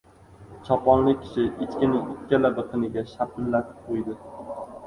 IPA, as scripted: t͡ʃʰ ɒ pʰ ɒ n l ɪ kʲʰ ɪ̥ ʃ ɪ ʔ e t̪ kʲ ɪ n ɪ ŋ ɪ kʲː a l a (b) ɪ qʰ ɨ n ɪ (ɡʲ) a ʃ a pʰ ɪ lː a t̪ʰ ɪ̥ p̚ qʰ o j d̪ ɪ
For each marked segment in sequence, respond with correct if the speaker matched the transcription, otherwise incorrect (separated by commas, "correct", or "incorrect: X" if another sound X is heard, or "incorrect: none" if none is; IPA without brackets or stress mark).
correct, correct